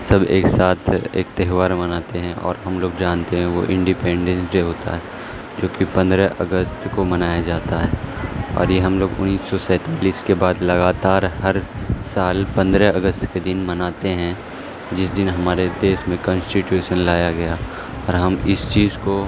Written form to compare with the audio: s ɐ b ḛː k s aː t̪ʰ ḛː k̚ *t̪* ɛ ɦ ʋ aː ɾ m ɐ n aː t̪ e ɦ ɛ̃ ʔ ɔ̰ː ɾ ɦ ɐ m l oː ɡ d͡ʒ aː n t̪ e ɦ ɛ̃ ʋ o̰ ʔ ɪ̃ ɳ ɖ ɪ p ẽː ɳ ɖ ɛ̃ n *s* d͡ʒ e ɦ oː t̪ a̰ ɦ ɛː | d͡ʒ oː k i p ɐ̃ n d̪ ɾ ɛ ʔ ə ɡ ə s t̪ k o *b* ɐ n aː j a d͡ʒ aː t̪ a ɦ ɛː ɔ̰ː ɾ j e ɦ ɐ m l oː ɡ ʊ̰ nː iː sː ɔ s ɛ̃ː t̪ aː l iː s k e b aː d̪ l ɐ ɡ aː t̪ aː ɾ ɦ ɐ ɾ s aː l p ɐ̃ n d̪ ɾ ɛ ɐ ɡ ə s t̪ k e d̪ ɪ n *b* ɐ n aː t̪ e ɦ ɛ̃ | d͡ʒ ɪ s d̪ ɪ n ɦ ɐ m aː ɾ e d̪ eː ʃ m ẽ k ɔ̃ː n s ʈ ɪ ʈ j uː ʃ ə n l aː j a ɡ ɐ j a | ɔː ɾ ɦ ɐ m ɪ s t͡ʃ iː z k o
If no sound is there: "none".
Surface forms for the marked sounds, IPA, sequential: t̪, s, m, m

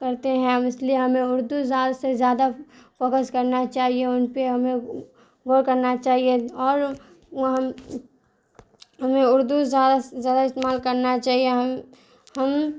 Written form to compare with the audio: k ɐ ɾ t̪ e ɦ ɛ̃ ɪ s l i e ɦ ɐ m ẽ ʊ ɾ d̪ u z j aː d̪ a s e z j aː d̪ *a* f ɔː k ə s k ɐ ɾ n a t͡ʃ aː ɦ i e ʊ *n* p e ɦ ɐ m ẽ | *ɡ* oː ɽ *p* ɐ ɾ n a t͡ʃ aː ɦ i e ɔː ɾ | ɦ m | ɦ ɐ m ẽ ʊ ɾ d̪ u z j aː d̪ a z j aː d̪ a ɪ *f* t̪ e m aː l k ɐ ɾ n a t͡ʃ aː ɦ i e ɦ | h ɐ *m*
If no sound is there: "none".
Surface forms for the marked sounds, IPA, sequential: a, n, ɡ, k, s, m

